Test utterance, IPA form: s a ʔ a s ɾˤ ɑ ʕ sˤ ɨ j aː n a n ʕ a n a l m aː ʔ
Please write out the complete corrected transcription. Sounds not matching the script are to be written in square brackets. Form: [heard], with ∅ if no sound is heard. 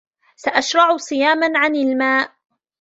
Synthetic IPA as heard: s a ʔ a [ʃ] ɾˤ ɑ ʕ sˤ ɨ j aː [m] a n ʕ a n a l m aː ʔ